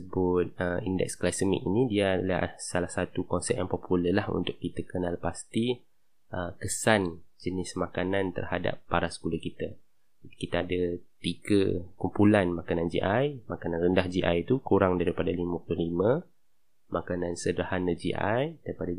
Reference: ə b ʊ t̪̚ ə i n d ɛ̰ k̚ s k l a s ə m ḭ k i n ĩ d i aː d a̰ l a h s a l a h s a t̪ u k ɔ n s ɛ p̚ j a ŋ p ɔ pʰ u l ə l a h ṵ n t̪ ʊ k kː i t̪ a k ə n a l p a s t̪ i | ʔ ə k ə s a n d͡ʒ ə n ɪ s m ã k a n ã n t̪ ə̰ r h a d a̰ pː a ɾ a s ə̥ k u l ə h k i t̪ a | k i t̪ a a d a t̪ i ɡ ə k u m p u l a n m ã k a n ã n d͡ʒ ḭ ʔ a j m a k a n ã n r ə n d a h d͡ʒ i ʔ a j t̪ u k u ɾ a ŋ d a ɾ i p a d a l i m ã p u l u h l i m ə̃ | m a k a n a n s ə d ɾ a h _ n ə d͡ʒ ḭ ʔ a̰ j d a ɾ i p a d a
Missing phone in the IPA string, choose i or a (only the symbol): a